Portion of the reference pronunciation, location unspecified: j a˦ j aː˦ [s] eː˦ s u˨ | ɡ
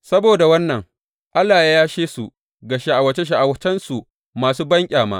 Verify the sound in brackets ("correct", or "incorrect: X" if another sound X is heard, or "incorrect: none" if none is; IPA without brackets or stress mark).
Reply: incorrect: ʃ